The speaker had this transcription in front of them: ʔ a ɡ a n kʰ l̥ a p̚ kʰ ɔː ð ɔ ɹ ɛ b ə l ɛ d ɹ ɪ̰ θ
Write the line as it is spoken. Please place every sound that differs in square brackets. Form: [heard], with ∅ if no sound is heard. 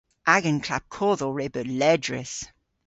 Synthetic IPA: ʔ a ɡ [ə] n kʰ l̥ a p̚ kʰ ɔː ð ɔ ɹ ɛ b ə l ɛ d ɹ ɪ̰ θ